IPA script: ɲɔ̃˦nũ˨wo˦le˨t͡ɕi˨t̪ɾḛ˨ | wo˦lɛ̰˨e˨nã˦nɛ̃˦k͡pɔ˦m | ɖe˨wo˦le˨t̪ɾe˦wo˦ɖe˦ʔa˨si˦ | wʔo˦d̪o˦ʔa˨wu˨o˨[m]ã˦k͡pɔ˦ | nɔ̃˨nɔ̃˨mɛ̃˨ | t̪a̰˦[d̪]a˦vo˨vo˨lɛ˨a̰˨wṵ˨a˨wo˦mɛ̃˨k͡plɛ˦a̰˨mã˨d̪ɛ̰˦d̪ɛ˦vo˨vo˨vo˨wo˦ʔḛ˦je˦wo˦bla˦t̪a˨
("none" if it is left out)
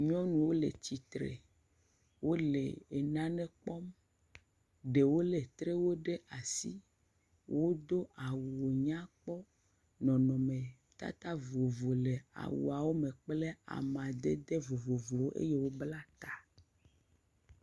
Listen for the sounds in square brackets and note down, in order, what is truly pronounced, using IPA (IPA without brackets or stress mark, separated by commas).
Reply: ɲ, t̪